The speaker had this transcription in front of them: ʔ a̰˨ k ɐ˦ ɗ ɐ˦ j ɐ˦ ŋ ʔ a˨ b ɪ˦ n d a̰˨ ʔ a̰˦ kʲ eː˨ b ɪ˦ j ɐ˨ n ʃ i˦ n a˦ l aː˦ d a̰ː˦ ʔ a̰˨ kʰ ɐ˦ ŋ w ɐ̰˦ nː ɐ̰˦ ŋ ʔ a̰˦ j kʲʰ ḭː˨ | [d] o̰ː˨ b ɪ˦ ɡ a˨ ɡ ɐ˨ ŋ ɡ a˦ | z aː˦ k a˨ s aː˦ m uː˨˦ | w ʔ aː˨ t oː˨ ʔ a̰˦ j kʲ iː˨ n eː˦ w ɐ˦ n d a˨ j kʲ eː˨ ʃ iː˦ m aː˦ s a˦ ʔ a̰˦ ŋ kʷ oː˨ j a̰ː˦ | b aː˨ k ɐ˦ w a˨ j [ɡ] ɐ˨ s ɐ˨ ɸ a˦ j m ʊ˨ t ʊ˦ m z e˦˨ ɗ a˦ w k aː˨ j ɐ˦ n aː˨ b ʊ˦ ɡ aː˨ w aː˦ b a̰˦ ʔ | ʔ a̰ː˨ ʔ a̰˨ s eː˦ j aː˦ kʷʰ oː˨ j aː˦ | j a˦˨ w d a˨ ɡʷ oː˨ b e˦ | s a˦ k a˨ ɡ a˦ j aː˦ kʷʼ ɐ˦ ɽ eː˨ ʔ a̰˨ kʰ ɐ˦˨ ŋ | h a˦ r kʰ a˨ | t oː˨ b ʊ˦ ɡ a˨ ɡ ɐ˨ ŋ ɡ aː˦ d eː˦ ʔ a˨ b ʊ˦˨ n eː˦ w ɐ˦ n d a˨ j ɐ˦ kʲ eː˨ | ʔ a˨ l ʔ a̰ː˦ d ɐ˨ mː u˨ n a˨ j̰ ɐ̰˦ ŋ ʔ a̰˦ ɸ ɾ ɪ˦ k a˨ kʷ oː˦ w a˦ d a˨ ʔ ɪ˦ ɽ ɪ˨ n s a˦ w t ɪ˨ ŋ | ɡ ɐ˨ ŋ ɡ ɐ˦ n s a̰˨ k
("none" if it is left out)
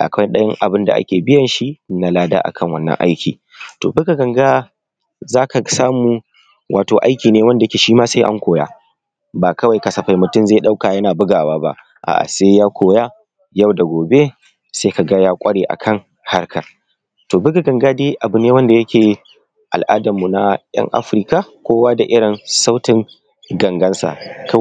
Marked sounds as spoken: t, k

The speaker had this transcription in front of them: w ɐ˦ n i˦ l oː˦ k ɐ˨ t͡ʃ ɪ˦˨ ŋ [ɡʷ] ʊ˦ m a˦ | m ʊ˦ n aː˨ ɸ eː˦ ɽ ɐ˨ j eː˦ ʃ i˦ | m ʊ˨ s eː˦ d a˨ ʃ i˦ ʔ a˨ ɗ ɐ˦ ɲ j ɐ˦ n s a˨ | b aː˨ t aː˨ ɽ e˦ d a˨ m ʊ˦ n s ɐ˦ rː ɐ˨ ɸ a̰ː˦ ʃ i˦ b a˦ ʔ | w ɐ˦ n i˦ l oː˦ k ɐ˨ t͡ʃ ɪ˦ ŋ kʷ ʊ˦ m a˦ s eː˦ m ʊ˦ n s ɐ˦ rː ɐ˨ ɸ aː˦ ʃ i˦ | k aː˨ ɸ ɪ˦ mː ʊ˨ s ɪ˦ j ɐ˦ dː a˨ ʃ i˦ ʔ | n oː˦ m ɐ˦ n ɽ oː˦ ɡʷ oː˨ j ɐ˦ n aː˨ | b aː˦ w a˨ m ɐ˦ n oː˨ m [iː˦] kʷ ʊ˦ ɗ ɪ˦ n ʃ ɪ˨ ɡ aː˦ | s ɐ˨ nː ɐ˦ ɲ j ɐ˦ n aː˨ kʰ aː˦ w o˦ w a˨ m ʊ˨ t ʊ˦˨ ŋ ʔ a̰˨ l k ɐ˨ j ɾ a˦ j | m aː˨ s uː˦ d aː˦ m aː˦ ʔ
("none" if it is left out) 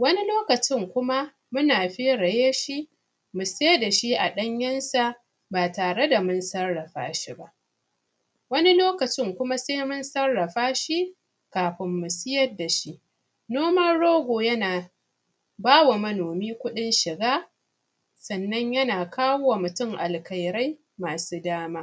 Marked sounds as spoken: kʷ, iː˦

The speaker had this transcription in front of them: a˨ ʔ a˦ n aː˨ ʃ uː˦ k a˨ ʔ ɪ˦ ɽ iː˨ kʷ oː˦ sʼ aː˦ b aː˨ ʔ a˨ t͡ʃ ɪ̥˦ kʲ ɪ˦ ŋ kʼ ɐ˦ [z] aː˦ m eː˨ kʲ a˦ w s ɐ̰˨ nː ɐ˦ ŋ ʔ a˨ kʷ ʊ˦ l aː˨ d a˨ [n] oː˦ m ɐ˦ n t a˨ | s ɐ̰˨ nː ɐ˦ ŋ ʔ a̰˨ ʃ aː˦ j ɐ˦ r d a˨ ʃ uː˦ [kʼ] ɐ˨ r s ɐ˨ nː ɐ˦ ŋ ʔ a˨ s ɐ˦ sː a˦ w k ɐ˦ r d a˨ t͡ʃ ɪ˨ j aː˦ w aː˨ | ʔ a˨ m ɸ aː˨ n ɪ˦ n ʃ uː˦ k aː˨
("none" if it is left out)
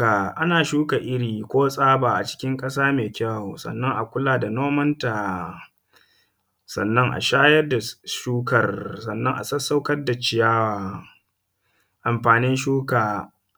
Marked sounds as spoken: s, n, k

